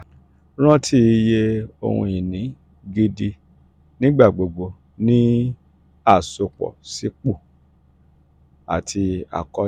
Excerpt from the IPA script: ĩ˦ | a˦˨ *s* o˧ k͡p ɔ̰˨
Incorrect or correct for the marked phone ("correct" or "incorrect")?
correct